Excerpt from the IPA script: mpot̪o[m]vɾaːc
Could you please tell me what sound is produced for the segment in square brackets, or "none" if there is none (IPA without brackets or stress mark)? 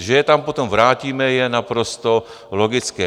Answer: m